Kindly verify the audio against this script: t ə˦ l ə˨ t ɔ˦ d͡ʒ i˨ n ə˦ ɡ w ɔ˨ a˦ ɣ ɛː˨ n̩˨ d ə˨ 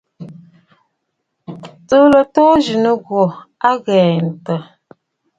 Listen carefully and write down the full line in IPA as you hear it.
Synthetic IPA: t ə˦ l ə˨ t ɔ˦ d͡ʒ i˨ n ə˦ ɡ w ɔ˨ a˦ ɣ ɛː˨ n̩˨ t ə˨